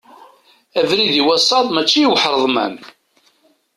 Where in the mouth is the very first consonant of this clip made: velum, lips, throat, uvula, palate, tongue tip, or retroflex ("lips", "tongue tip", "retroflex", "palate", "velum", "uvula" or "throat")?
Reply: lips